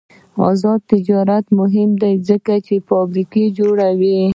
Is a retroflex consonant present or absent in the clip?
present